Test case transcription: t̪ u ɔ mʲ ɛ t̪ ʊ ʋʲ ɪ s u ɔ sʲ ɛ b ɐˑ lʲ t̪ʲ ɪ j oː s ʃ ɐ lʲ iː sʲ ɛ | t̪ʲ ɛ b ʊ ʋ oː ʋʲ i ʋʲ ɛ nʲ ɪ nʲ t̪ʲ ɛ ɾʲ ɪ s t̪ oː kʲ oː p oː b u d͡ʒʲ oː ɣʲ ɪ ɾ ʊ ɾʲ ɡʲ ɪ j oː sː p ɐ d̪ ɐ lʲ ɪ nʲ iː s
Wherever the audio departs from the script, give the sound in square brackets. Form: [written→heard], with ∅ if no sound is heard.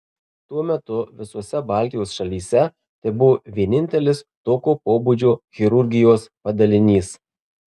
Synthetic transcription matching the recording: t̪ u ɔ mʲ ɛ t̪ ʊ ʋʲ ɪ s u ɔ sʲ ɛ b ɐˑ lʲ t̪ʲ ɪ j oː s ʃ ɐ lʲ iː sʲ ɛ | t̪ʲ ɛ b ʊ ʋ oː ʋʲ i [ʋʲ→∅] ɛ nʲ ɪ nʲ t̪ʲ ɛ [ɾʲ→lʲ] ɪ s t̪ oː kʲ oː p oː b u d͡ʒʲ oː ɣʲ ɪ ɾ ʊ ɾʲ ɡʲ ɪ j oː [sː→s] p ɐ d̪ ɐ lʲ ɪ nʲ iː s